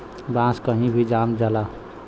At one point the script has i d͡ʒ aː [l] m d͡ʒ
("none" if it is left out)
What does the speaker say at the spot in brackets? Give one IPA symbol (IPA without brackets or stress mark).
none